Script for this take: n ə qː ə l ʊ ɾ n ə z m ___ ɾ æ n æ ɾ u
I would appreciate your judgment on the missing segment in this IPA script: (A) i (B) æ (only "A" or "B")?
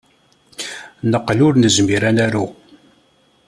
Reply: A